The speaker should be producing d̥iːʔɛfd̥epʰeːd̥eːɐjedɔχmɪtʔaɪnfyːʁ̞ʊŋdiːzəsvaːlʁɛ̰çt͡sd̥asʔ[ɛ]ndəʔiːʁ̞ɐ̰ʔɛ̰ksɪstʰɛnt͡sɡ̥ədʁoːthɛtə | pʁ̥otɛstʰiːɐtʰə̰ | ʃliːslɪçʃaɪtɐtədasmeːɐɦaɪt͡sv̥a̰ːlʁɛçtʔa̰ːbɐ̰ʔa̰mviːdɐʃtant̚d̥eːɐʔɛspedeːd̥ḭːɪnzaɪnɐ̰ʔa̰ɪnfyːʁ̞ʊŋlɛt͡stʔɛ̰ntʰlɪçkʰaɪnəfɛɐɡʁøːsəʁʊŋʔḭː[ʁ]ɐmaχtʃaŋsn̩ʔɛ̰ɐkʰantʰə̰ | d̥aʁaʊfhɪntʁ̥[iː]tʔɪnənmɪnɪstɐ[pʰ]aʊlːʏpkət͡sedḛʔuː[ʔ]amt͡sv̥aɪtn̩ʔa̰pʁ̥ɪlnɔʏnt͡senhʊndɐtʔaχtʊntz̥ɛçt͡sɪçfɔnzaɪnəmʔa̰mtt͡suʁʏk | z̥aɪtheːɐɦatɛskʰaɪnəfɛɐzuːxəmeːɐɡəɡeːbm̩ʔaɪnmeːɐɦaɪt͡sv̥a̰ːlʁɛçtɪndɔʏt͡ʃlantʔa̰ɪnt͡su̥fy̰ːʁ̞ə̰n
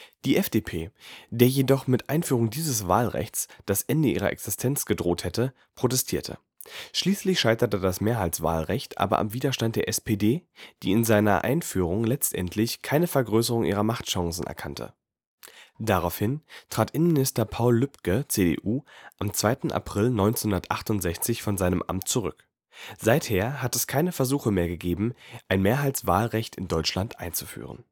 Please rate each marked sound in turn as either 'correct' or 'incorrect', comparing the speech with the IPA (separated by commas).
correct, correct, incorrect, correct, correct